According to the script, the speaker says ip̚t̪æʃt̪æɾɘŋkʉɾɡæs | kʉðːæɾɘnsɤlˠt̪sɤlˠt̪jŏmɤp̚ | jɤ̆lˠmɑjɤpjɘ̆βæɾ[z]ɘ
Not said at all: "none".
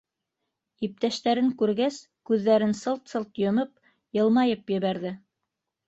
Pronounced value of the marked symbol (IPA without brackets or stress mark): ð